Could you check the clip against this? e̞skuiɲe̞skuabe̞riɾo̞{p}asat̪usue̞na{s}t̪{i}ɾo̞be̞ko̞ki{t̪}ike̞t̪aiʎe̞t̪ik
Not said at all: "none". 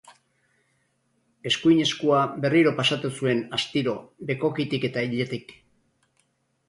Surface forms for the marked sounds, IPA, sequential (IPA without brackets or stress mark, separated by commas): p, s, i, t̪